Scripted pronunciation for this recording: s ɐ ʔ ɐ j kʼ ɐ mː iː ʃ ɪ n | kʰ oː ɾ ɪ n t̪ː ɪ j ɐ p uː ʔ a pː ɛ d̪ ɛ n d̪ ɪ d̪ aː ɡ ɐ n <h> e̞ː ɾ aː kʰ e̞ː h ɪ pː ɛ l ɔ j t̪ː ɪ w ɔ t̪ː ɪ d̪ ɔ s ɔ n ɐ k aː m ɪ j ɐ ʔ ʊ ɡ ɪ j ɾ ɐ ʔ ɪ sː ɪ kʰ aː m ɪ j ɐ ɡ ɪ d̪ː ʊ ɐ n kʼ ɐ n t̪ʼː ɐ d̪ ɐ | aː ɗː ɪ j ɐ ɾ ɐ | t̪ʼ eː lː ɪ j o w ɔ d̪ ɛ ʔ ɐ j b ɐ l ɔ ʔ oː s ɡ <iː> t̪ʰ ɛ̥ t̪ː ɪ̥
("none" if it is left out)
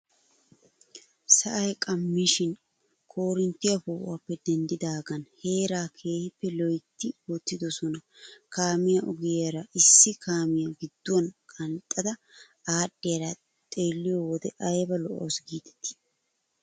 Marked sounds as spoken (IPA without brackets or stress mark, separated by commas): h, iː